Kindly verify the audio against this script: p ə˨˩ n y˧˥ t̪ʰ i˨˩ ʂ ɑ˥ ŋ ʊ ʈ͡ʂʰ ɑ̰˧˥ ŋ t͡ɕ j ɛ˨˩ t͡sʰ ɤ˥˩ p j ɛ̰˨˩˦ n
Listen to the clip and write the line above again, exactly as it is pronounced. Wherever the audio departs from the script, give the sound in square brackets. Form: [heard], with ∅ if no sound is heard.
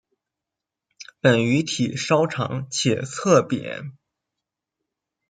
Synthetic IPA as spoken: p ə˨˩ n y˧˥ t̪ʰ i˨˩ ʂ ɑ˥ [∅] ʊ ʈ͡ʂʰ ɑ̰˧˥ ŋ [t͡ɕʰ] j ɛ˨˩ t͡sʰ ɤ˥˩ p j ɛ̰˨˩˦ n